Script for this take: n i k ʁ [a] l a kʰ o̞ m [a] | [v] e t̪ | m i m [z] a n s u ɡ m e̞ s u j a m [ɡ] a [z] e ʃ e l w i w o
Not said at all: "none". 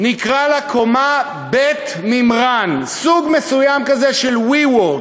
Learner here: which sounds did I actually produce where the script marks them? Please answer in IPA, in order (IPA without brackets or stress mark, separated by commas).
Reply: a, a, b, ʁ, k, z